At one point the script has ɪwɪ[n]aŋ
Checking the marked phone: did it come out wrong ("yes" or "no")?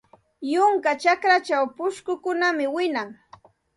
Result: no